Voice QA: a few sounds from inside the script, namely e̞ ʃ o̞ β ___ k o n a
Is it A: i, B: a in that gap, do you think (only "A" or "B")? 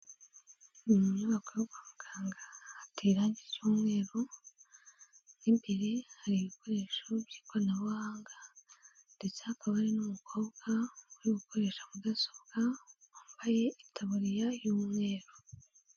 A